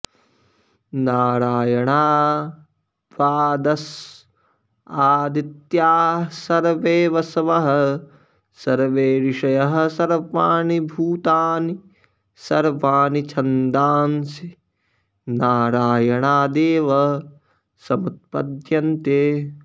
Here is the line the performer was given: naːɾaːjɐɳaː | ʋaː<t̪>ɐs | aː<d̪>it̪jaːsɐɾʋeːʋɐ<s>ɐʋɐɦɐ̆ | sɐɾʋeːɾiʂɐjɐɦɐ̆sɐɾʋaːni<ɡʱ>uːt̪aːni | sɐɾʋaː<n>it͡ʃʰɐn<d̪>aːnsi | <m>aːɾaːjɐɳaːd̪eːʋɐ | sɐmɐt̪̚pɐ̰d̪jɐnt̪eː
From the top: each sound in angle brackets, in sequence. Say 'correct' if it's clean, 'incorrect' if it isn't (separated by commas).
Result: incorrect, correct, correct, incorrect, correct, correct, incorrect